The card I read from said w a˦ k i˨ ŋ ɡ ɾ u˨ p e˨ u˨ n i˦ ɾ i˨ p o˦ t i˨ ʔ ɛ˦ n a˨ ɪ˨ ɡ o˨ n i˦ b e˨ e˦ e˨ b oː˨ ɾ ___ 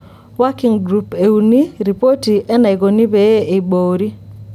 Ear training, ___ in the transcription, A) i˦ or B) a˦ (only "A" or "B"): A